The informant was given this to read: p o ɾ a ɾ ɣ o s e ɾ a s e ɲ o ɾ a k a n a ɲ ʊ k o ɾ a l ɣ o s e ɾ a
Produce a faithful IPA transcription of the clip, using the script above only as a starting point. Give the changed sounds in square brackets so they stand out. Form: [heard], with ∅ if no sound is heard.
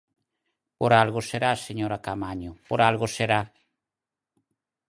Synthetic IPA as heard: p o ɾ a [l] ɣ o s e ɾ a s e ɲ o ɾ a k a [m] a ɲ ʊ [p] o ɾ a l ɣ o s e ɾ a